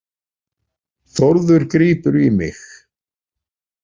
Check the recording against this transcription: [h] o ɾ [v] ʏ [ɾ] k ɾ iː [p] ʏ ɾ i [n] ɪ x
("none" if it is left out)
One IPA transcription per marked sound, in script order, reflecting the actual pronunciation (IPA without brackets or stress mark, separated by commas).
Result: θ, ð, ɾ, p, m